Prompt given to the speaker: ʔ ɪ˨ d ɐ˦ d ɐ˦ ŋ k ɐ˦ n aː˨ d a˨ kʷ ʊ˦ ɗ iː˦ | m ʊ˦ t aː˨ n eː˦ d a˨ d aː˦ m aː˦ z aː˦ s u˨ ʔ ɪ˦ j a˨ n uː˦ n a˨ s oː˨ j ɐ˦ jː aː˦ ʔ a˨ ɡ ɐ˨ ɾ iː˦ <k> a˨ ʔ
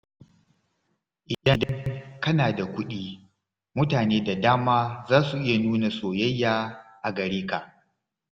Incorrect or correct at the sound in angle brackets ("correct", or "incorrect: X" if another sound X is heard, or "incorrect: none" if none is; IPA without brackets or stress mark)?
correct